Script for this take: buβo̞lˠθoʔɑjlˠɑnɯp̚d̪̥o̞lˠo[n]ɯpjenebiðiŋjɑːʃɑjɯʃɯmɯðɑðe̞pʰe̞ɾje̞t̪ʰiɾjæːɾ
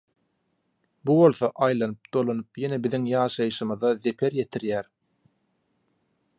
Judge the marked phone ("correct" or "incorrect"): correct